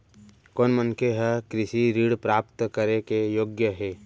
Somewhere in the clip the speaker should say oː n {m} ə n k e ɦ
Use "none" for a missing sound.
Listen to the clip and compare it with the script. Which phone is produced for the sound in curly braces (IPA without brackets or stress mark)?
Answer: m